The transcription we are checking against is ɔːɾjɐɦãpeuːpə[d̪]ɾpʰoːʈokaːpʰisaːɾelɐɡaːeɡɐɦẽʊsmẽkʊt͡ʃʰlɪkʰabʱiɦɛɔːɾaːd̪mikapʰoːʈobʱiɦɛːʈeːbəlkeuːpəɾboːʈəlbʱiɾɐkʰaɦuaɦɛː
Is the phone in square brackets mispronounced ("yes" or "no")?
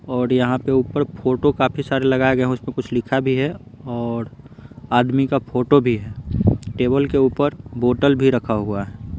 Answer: yes